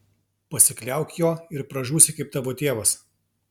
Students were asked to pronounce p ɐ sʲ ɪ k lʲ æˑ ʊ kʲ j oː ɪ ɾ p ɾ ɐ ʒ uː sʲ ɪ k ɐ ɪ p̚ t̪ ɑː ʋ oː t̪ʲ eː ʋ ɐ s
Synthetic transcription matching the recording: p ɐ sʲ ɪ k lʲ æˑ ʊ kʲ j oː ɪ ɾ p ɾ ɐ ʒ uː sʲ ɪ k ɐ ɪ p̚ t̪ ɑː ʋ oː t̪ʲ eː ʋ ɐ s